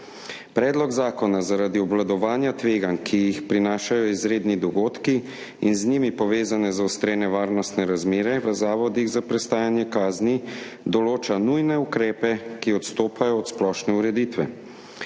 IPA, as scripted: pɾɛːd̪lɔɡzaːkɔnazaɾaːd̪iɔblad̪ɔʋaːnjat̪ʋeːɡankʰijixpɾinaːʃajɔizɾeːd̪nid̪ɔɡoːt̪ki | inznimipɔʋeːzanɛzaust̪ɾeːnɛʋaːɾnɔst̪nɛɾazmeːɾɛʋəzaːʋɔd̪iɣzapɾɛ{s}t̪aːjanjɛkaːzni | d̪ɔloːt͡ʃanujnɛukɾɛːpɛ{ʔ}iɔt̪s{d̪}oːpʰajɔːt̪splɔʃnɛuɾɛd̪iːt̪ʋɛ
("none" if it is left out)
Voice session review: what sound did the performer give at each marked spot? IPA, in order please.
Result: s, k, t̪

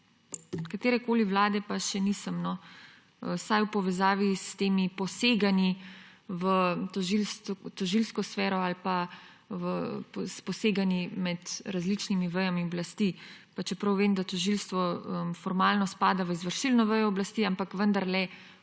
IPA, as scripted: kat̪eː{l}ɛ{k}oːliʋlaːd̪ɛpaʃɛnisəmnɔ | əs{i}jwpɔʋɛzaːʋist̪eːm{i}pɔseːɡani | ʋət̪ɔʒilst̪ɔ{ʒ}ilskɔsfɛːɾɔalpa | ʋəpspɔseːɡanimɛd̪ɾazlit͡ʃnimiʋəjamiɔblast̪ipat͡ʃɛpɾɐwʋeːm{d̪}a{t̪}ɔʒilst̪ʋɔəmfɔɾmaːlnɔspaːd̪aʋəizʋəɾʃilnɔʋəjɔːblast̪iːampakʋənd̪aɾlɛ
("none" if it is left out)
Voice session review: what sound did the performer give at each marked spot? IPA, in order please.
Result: ɾ, k, a, i, ʒ, d̪, t̪

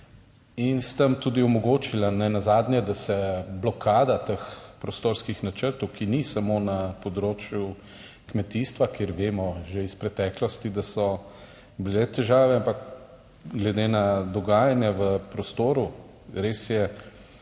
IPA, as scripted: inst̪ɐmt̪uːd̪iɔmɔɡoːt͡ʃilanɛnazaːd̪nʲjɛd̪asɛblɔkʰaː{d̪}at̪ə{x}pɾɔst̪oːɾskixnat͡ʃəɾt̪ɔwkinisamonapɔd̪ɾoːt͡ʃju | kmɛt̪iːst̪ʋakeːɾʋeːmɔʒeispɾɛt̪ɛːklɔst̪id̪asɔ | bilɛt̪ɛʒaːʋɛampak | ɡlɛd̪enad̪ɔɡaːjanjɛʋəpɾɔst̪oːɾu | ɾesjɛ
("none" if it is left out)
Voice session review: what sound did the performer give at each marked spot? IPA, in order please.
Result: d̪, x

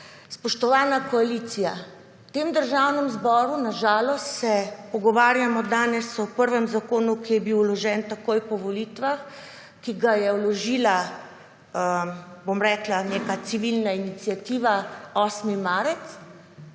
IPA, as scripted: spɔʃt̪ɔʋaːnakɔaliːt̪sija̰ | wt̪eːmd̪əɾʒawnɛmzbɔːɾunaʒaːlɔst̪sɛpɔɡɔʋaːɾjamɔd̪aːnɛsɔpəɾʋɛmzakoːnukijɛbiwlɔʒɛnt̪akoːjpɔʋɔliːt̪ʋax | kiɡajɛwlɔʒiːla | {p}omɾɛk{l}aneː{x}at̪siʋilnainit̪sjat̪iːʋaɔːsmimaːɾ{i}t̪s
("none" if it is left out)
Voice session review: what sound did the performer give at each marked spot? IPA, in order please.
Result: b, l, k, ɛ

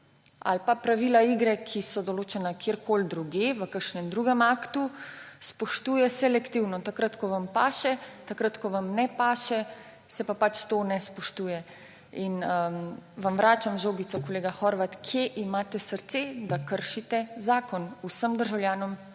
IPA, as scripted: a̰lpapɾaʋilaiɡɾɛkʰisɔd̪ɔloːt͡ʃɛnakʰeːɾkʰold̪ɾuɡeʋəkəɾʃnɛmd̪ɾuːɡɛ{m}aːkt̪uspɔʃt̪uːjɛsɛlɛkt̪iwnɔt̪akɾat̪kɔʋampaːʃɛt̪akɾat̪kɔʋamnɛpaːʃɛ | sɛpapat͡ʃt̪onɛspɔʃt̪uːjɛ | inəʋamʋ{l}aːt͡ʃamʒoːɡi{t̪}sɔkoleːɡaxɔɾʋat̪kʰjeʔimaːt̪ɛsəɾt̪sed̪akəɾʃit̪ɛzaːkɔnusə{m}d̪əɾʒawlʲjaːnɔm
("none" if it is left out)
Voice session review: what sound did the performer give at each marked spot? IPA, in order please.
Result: m, ɾ, t̪, m

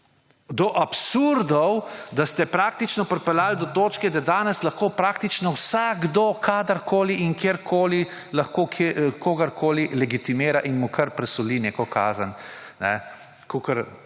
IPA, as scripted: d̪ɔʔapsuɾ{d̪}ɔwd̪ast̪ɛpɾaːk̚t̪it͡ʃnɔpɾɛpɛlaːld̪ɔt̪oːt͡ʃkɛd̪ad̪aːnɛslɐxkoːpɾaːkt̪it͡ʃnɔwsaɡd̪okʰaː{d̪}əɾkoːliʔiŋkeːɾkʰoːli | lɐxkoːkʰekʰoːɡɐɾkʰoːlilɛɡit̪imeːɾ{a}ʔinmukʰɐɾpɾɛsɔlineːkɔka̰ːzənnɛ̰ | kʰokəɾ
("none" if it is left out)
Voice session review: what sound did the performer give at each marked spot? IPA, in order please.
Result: d̪, d̪, a

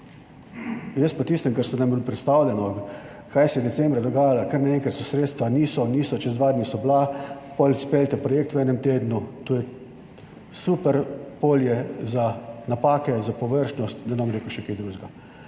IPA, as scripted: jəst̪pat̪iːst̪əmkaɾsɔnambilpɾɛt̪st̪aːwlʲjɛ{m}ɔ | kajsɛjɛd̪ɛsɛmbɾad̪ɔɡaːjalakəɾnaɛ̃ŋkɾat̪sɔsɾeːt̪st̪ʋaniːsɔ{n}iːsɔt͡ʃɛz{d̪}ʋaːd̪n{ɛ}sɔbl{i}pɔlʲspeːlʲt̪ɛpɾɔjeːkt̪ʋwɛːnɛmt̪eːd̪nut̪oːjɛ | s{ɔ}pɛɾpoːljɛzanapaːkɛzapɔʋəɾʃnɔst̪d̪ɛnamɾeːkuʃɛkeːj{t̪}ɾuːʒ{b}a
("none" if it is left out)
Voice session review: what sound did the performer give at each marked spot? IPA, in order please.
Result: n, n, d̪, i, a, u, d̪, ɡ

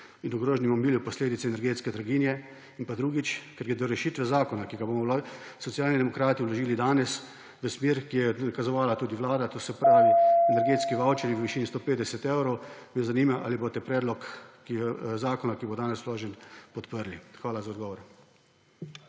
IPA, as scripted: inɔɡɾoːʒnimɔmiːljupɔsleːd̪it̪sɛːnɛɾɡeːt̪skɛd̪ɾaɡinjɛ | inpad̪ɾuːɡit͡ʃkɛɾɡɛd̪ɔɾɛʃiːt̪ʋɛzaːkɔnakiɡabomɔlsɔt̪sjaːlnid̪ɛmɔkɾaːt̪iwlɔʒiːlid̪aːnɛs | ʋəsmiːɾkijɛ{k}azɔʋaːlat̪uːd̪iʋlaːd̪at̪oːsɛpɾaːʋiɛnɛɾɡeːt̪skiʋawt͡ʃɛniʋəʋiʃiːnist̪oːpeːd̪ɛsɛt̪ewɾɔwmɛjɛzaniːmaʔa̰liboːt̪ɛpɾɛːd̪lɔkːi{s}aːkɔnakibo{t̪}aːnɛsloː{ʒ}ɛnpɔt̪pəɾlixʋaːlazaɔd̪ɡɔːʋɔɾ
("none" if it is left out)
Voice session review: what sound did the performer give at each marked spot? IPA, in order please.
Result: k, z, d̪, ʒ

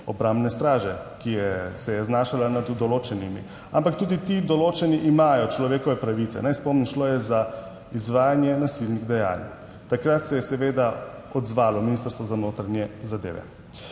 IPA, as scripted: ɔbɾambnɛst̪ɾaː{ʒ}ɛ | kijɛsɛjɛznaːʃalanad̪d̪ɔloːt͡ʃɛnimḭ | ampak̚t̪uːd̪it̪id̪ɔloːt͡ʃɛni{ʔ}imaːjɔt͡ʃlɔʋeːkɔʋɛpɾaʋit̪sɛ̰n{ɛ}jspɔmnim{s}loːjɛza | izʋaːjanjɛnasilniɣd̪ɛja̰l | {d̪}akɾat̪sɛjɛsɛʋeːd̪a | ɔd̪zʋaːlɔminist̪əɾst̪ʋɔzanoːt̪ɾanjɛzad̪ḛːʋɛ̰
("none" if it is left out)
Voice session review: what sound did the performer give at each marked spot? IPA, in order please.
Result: ʒ, ʔ, a, ʃ, t̪

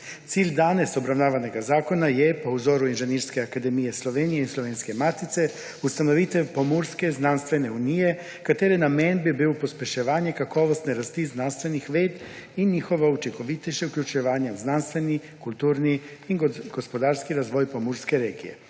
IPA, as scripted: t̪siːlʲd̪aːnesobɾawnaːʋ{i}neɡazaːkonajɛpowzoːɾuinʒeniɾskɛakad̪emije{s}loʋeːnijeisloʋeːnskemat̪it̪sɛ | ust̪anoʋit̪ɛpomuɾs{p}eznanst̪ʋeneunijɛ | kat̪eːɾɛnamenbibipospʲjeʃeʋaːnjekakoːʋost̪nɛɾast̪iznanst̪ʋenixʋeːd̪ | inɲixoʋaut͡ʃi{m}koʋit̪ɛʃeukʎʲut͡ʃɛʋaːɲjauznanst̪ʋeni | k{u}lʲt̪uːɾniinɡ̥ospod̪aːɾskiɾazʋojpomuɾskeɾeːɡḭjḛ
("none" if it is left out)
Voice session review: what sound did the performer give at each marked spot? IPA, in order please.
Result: a, s, k, ŋ, u

